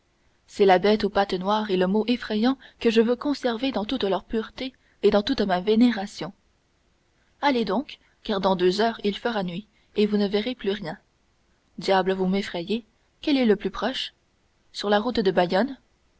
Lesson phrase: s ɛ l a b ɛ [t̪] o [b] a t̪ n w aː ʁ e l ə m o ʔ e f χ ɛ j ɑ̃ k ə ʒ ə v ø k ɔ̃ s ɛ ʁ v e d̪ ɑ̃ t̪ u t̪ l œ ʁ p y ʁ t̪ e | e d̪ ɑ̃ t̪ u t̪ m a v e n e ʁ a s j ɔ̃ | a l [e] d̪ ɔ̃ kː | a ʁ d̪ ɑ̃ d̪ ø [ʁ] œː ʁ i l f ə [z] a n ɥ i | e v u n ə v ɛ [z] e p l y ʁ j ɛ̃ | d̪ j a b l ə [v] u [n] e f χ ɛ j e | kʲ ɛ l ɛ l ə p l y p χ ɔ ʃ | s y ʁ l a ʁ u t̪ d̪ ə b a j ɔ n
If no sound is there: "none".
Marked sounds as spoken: t̪, p, e, z, ʁ, ʁ, v, m

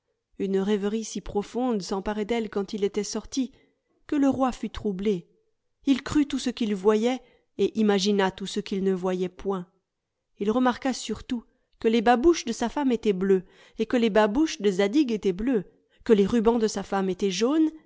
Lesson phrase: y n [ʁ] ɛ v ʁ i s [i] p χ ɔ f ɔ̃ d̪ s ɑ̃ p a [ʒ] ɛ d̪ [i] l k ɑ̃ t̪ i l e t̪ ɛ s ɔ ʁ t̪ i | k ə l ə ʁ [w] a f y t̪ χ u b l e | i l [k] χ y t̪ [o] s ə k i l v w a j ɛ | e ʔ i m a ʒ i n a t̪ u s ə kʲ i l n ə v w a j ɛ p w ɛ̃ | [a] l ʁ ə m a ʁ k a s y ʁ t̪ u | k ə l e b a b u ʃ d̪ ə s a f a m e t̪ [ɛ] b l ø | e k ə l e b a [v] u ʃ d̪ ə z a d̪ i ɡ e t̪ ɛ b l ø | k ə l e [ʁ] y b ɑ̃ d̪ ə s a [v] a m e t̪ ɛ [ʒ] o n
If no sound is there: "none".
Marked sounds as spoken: ʁ, i, ʁ, ɛ, w, k, u, i, ɛ, b, ʁ, f, ʒ

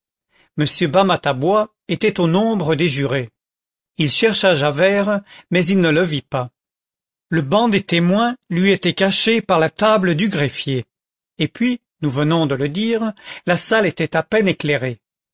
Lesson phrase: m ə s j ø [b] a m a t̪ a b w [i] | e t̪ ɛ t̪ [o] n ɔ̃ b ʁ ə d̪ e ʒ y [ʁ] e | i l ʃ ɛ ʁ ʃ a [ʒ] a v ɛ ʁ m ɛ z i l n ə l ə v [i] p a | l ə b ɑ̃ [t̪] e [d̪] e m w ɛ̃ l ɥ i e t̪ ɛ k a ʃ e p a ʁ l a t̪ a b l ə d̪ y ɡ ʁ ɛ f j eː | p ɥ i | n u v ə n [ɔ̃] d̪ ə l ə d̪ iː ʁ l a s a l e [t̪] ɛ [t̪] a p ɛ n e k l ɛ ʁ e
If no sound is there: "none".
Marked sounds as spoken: b, a, o, ʁ, ʒ, i, d̪, t̪, ɔ̃, t̪, t̪

